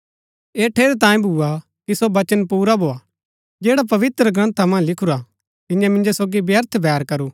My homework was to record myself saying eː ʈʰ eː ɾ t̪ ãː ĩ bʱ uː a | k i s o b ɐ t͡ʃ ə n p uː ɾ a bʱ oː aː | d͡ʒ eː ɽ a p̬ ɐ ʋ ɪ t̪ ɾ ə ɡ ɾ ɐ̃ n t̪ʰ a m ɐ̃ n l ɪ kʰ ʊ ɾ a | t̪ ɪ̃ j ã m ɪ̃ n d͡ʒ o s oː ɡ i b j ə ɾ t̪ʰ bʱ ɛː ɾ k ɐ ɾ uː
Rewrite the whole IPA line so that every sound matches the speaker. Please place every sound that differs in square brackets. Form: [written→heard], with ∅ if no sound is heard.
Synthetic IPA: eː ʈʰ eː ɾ t̪ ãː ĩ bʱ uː a | k i s o b ɐ t͡ʃ ə n p uː ɾ a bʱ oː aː | d͡ʒ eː ɽ a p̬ ɐ ʋ ɪ t̪ ɾ ə ɡ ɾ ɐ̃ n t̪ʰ a m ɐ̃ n l ɪ kʰ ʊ ɾ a | t̪ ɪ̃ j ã m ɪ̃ n d͡ʒ o s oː ɡ i b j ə ɾ t̪ʰ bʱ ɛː ɾ k ɐ ɾ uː